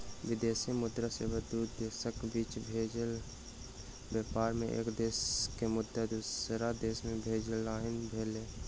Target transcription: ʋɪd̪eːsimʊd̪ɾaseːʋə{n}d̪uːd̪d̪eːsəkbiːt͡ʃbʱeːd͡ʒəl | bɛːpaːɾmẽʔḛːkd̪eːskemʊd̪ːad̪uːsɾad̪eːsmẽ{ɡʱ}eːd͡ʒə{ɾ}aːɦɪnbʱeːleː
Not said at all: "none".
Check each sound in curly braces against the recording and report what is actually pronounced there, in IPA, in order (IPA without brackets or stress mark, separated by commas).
none, bʱ, l